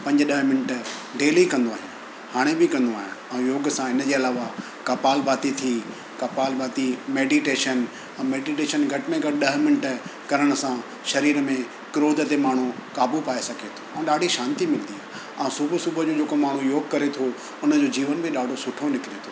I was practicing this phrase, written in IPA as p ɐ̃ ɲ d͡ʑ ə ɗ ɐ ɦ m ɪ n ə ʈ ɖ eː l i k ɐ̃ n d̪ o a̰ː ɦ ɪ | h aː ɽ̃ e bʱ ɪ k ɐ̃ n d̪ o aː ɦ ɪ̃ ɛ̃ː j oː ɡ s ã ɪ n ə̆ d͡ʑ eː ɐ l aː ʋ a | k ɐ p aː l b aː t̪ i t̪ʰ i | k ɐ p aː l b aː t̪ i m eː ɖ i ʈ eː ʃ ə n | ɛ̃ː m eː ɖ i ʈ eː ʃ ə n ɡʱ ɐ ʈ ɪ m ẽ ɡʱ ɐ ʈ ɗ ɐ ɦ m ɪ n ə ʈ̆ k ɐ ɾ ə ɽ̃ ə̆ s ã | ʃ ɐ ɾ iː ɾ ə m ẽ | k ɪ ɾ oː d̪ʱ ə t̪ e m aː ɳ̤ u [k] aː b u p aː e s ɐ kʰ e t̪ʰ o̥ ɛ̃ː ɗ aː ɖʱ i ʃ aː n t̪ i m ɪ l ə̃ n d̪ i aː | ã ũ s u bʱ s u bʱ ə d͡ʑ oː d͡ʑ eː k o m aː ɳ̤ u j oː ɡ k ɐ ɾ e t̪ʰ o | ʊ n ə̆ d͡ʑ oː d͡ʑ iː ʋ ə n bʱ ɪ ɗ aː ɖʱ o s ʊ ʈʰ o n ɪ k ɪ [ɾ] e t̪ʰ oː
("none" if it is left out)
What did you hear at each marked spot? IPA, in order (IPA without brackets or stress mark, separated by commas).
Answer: k, ɾ